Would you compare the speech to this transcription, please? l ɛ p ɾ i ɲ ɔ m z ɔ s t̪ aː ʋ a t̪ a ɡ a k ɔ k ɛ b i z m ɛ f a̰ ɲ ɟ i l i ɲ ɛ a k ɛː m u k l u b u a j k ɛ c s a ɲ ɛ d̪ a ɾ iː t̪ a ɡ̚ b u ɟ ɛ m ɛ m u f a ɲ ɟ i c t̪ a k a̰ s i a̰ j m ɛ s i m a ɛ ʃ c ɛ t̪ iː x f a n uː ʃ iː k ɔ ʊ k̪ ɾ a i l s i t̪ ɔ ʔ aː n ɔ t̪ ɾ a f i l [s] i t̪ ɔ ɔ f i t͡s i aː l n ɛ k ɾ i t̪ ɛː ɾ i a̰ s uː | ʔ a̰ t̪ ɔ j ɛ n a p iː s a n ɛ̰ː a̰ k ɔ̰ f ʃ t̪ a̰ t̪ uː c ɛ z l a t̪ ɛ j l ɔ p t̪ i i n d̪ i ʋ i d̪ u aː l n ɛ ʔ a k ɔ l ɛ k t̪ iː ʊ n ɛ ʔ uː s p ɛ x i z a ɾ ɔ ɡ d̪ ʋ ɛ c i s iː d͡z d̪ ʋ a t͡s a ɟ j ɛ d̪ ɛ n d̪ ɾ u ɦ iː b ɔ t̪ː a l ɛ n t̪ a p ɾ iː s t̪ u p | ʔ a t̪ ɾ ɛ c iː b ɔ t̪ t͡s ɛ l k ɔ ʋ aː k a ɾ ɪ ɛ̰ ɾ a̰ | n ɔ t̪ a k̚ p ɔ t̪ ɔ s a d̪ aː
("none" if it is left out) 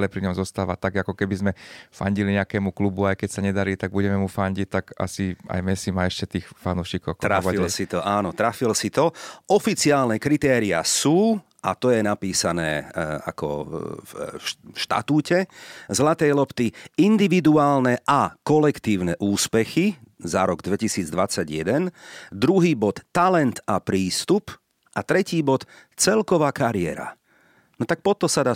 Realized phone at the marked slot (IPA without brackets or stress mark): s